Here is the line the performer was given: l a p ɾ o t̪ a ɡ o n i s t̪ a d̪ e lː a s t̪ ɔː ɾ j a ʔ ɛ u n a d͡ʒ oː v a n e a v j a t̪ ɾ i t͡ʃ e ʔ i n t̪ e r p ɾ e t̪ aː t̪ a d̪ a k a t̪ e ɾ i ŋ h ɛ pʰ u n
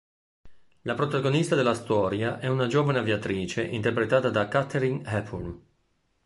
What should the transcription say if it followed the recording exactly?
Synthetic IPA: l a p ɾ o t̪ a ɡ o n i s t̪ a d̪ e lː a s t̪ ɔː ɾ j a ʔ ɛ u n a d͡ʒ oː v a n e a v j a t̪ ɾ iː t͡ʃ e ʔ i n t̪ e r p ɾ e t̪ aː t̪ a d̪ a k a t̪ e ɾ i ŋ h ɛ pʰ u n